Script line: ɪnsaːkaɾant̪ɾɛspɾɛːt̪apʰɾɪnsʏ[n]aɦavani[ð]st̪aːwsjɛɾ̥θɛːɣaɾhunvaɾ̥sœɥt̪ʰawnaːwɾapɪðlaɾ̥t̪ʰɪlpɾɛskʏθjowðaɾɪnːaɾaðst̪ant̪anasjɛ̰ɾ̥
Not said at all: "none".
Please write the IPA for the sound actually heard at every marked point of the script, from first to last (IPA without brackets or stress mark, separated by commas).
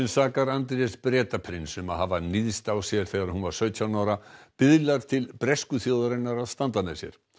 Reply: m, ð